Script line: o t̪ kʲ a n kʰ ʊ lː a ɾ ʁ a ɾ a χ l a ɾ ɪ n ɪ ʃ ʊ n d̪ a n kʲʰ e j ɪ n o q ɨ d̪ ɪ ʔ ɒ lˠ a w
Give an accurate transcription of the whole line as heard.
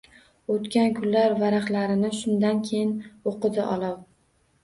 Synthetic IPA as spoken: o t̪ kʲ a n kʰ ʊ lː a ɾ v a ɾ a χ l a ɾ ɪ n ɪ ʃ ʊ n d̪ a n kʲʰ e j ɪ n o q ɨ d̪ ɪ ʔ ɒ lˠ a w